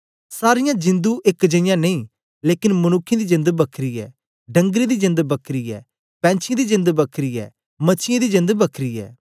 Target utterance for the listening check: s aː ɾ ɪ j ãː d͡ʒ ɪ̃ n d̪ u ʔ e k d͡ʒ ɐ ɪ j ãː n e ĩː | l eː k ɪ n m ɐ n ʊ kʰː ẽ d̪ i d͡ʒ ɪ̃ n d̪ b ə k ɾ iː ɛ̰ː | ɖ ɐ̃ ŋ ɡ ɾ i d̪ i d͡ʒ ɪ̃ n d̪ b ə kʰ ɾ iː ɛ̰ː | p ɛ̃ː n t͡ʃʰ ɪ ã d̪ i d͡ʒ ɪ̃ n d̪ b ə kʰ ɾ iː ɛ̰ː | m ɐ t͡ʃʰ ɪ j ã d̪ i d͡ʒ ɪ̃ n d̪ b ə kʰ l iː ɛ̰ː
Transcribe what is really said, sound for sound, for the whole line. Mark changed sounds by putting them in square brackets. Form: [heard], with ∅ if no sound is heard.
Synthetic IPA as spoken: s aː ɾ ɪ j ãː d͡ʒ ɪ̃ n d̪ u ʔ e k d͡ʒ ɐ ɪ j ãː n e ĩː | l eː k ɪ n m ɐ n ʊ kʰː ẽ d̪ i d͡ʒ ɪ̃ n d̪ b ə [kʰ] ɾ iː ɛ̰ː | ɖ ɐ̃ ŋ ɡ ɾ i d̪ i d͡ʒ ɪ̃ n d̪ b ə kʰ ɾ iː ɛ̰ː | p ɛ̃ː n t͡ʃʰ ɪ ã d̪ i d͡ʒ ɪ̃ n d̪ b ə kʰ ɾ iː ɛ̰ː | m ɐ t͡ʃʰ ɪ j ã d̪ i d͡ʒ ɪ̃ n d̪ b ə kʰ [ɾ] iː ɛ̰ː

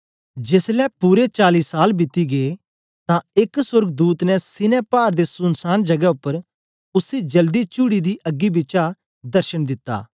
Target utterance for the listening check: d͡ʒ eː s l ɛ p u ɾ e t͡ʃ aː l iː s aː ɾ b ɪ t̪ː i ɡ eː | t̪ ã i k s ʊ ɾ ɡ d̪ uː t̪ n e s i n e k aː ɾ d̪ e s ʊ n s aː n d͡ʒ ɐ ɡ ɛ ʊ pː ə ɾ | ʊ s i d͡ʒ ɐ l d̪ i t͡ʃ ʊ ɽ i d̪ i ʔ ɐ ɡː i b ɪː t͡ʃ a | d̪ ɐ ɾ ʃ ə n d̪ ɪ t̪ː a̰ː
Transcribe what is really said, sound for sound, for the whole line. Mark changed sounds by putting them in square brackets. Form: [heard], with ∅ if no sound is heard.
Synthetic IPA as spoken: d͡ʒ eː s l ɛ p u ɾ e t͡ʃ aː l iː s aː [l] b ɪ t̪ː i ɡ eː | t̪ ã [ɪ] k s ʊ ɾ ɡ d̪ uː t̪ n [ɛ] s [ɪ] n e [p] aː ɾ d̪ e s ʊ n s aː n d͡ʒ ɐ ɡ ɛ ʊ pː ə ɾ | ʊ s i d͡ʒ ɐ l d̪ i t͡ʃ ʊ ɽ i d̪ i ʔ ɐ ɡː i b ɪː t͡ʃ a | d̪ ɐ ɾ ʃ ə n d̪ ɪ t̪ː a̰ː

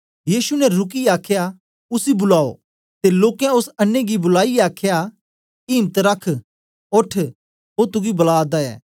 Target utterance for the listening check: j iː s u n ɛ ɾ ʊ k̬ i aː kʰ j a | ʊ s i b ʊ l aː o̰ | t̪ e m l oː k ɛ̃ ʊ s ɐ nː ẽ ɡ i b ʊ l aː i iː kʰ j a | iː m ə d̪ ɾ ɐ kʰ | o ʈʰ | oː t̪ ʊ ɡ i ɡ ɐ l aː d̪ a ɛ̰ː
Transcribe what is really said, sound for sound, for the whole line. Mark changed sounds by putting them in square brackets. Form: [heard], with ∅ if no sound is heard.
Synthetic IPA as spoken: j iː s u n ɛ ɾ ʊ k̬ i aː kʰ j a | ʊ s i b ʊ l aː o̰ | t̪ e [∅] l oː k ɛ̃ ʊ s ɐ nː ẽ ɡ i b ʊ l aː i [aː] kʰ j a | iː m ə [t̪] ɾ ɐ kʰ | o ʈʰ | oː t̪ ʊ ɡ i [b] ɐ l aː d̪ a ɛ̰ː

